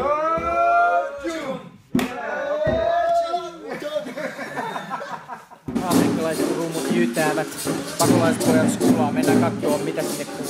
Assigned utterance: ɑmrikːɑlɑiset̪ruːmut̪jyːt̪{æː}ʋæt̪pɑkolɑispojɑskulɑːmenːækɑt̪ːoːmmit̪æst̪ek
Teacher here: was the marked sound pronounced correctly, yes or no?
yes